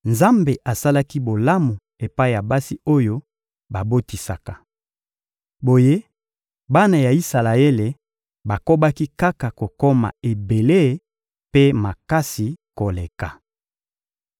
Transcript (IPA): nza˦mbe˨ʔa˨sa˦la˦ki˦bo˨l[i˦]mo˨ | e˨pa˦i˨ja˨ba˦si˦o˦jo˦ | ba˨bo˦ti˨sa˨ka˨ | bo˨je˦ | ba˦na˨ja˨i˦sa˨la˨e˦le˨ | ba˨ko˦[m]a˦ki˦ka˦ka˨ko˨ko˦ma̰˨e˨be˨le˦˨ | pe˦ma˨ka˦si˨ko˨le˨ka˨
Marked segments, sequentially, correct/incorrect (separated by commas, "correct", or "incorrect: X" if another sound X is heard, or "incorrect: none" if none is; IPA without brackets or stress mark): incorrect: a˦, incorrect: b